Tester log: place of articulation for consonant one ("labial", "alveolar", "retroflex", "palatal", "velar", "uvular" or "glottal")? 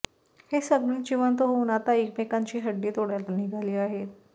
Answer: glottal